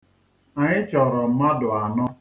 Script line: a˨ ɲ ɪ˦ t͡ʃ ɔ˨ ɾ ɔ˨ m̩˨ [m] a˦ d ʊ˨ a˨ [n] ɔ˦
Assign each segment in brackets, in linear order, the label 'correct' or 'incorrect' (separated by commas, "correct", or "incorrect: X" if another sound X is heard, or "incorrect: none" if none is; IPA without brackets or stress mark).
correct, correct